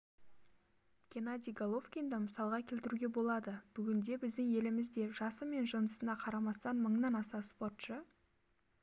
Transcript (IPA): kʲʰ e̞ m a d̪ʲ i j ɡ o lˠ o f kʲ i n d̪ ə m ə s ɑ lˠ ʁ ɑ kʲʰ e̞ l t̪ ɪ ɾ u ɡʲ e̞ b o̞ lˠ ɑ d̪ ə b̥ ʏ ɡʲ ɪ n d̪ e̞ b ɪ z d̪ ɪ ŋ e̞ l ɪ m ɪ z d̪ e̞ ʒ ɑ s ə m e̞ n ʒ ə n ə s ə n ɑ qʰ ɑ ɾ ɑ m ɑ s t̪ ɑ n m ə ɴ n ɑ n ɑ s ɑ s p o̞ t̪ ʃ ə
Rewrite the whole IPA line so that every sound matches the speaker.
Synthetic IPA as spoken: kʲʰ e̞ n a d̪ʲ i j ɡ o lˠ o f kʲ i n d̪ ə m ə s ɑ lˠ ʁ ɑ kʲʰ e̞ l t̪ ɪ ɾ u ɡʲ e̞ b o̞ lˠ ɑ d̪ ə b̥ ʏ ɡʲ ɪ n d̪ e̞ b ɪ z d̪ ɪ ŋ e̞ l ɪ m ɪ z d̪ e̞ ʒ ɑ s ə m e̞ n ʒ ə n ə s ə n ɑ qʰ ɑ ɾ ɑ m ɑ s t̪ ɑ n m ə ɴ n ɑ n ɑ s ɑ s p o̞ t̪ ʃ ə